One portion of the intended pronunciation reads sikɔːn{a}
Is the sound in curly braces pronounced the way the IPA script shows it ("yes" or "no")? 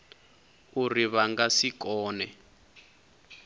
no